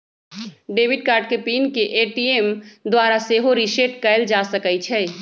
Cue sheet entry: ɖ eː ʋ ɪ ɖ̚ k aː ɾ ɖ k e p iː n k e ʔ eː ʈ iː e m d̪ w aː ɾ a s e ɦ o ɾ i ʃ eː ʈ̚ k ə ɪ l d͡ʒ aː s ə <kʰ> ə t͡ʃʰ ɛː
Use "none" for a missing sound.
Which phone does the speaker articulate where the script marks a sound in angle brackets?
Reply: k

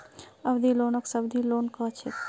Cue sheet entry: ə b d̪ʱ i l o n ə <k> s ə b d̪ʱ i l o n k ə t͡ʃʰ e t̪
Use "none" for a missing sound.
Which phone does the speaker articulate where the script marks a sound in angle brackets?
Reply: k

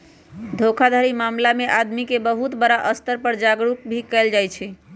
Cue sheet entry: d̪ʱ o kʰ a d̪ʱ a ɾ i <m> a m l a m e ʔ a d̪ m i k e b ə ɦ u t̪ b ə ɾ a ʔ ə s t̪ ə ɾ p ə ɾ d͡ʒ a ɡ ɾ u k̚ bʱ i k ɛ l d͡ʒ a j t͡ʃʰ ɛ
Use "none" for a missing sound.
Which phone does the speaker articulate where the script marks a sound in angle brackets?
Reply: m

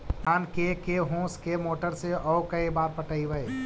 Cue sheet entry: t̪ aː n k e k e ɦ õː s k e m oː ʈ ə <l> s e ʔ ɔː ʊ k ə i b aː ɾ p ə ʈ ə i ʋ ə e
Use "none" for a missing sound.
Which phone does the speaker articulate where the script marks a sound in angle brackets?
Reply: ɾ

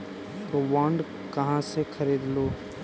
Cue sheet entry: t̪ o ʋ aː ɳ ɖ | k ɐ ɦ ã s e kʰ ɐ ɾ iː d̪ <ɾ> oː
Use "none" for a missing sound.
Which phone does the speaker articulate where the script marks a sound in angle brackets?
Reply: l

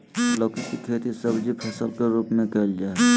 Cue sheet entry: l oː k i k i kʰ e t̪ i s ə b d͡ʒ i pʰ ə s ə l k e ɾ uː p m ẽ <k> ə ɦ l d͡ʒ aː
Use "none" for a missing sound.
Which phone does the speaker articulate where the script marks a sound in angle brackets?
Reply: k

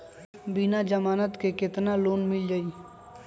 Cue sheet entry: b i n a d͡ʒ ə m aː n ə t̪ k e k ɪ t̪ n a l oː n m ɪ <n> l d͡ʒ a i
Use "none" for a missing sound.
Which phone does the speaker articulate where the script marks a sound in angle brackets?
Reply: none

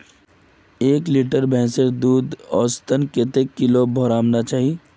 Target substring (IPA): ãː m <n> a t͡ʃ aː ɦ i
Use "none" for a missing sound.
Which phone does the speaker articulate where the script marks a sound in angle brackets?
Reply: n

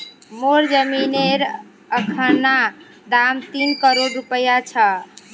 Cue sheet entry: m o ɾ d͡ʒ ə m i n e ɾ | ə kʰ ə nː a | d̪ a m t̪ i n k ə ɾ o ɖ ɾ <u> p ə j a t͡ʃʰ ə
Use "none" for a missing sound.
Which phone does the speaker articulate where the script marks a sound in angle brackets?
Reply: u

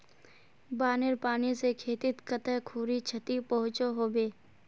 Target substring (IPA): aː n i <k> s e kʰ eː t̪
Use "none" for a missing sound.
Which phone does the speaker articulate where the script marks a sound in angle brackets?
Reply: none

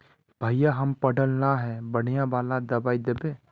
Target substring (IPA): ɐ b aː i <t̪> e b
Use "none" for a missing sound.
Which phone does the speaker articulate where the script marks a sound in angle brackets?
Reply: d̪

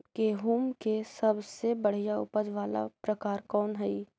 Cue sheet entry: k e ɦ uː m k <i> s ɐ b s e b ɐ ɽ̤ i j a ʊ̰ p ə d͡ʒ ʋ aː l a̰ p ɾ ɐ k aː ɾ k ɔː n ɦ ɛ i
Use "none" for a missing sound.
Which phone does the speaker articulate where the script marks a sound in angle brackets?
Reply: e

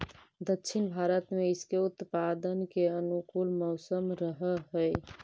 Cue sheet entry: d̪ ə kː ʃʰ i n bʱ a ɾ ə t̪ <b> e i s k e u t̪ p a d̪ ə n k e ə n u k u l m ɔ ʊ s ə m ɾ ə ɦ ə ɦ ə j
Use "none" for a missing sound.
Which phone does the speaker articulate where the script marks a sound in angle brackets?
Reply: m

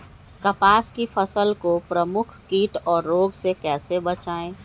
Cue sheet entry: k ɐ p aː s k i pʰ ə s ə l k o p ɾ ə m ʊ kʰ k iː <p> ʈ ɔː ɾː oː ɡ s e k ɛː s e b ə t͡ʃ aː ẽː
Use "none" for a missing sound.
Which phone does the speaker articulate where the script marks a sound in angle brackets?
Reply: none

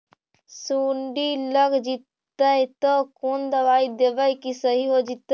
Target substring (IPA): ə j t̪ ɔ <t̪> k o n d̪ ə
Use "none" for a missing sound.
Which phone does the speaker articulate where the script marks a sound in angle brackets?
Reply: none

